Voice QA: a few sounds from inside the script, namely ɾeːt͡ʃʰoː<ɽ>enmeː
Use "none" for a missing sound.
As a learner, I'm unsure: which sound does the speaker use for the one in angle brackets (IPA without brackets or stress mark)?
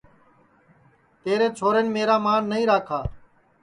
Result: ɾ